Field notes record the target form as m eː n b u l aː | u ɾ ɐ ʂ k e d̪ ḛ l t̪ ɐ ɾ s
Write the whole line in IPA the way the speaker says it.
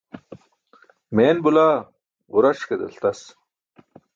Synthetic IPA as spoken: m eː n b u l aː | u ɾ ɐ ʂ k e d̪ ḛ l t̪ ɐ s